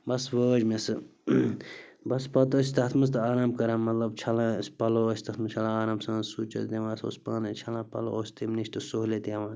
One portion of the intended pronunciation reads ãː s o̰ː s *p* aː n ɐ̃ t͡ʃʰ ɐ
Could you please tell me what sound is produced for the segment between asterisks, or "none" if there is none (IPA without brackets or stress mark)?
p